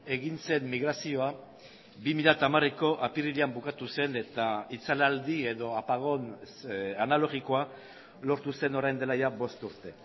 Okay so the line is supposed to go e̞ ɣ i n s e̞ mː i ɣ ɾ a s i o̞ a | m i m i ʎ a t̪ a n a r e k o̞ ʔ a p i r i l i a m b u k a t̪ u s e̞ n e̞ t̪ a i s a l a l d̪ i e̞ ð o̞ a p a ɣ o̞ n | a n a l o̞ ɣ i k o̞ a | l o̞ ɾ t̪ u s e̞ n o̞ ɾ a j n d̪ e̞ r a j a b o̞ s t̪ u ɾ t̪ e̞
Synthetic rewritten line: e̞ ɣ i n s e̞ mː i ɣ ɾ a s i o̞ a | b i m i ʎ a t̪ a m a r e k o̞ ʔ a p i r i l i a m b u k a t̪ u s e̞ n e̞ t̪ a i t͡s a l a l d̪ i e̞ ð o̞ a p a ɣ o̞ n | a n a l o̞ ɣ i k o̞ a | l o̞ ɾ t̪ u s e̞ n o̞ ɾ a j n d̪ e̞ l a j a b o̞ s t̪ u ɾ t̪ e̞